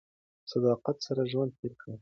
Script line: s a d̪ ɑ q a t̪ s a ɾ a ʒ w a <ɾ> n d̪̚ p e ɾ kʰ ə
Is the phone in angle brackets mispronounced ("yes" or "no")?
yes